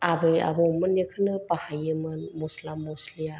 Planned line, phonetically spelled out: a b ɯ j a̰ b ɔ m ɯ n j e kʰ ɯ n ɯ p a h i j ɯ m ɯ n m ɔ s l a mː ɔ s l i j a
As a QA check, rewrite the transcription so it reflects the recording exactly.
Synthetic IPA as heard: a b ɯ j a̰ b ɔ m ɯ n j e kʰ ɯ n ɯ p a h a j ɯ m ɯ n m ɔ s l a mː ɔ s l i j a